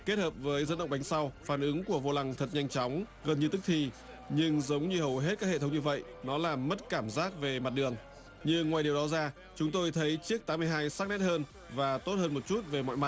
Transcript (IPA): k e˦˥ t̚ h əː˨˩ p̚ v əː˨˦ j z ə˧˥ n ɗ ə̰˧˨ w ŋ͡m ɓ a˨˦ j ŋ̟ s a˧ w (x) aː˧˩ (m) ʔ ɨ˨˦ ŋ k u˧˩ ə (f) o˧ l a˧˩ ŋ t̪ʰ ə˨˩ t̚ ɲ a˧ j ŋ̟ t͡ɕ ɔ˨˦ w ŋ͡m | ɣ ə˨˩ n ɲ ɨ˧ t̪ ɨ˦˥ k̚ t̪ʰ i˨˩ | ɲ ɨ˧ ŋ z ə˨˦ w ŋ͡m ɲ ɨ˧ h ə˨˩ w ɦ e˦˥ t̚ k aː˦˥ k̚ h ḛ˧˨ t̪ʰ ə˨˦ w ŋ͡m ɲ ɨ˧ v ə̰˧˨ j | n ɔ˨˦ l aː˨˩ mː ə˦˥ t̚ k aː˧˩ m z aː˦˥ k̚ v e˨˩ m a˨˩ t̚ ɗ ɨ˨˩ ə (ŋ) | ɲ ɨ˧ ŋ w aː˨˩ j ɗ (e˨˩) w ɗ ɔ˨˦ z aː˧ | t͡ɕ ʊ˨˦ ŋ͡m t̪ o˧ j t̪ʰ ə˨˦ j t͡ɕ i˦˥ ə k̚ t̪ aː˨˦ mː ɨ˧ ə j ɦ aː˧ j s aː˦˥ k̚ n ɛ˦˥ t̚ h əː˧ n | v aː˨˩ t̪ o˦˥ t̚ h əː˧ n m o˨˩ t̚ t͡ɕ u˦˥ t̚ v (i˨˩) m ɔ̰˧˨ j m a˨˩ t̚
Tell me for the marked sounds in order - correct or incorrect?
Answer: incorrect, incorrect, incorrect, correct, incorrect, incorrect

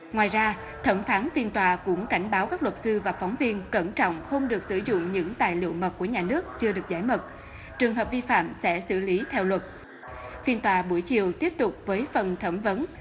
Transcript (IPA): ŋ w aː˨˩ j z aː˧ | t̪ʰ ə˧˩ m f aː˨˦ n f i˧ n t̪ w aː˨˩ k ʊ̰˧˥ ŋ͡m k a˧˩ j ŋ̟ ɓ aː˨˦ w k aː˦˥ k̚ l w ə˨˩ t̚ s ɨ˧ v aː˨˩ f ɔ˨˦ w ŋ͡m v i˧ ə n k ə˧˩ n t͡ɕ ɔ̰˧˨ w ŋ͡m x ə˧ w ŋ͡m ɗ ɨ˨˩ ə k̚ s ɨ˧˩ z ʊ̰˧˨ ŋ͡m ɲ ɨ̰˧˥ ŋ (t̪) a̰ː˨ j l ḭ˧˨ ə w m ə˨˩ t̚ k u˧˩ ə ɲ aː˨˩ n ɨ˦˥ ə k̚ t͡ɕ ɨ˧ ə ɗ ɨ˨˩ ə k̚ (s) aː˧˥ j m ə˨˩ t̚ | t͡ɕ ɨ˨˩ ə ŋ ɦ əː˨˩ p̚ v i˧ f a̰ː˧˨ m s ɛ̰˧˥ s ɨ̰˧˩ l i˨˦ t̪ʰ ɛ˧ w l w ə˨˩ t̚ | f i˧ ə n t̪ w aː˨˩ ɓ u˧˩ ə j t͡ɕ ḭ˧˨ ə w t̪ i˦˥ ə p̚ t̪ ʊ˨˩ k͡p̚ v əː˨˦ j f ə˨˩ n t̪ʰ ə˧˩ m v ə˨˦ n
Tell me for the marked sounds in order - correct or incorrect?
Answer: correct, incorrect

